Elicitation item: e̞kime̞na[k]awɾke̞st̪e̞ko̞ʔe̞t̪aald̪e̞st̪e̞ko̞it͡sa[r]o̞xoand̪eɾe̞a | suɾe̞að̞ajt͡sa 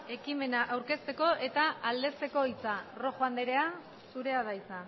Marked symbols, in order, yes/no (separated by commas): no, yes